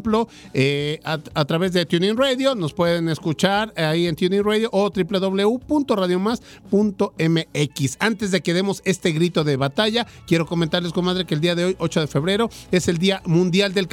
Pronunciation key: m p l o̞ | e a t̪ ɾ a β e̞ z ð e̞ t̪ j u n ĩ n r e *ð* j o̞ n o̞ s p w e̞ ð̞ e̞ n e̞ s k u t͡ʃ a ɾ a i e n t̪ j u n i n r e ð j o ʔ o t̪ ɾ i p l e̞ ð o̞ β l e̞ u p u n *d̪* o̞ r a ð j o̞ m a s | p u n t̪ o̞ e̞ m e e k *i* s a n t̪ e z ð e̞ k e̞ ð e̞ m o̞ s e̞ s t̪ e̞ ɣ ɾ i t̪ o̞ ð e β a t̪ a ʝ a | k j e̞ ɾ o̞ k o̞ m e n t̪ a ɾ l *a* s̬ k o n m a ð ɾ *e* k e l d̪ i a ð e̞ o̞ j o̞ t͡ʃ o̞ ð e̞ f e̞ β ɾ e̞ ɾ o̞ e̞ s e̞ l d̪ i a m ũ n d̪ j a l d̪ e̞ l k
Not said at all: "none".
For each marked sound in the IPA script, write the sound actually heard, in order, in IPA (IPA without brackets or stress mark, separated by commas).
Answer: ð, t̪, i, e, e